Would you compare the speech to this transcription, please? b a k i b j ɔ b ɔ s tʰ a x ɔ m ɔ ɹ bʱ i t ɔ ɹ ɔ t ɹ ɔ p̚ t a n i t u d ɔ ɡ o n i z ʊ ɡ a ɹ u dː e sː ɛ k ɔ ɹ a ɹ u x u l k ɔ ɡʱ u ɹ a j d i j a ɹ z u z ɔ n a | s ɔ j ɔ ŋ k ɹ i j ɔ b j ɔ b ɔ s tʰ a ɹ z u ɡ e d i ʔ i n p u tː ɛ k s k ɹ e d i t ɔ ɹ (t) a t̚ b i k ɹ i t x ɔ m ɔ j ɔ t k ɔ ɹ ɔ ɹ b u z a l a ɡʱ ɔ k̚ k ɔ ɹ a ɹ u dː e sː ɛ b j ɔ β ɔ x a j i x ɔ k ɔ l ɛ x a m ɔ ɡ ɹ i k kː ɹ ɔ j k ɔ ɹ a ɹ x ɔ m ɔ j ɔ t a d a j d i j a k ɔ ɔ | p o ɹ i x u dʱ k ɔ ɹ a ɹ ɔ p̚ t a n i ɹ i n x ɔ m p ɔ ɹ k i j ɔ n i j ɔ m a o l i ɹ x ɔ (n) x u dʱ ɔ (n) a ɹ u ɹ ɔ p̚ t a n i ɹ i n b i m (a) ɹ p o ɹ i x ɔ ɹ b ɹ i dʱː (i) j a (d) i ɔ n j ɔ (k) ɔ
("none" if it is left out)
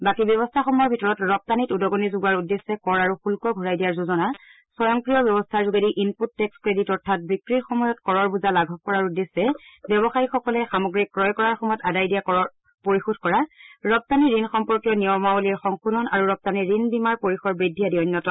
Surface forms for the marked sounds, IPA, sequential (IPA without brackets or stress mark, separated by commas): tʰ, ŋ, n, a, i, d, t